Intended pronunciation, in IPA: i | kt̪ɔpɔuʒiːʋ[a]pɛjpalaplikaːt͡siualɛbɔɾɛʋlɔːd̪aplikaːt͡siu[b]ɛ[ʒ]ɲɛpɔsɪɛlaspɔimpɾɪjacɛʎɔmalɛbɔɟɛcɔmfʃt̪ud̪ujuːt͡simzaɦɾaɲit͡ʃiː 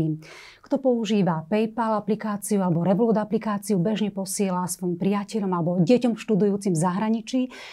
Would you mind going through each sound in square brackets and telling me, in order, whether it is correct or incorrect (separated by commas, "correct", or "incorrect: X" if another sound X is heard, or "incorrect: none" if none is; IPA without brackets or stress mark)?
correct, correct, correct